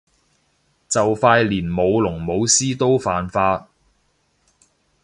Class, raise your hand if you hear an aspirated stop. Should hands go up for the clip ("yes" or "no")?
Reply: no